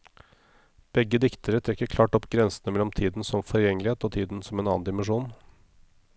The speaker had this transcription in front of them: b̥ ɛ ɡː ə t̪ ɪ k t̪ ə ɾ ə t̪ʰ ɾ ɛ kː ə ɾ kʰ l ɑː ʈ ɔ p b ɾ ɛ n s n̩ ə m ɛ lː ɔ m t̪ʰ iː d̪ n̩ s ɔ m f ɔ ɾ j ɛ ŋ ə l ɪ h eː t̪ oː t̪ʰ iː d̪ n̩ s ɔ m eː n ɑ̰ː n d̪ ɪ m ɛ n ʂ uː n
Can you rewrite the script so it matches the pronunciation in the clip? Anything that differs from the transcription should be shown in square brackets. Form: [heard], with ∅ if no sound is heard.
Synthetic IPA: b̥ ɛ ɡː ə [d̪] ɪ k t̪ ə ɾ ə t̪ʰ ɾ ɛ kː ə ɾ kʰ l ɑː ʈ ɔ p [ɡ] ɾ ɛ n s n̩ ə m ɛ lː ɔ m t̪ʰ iː d̪ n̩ s ɔ m f ɔ ɾ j ɛ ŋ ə l ɪ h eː t̪ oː t̪ʰ iː d̪ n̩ s ɔ m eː n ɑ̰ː n d̪ ɪ m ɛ n ʂ uː n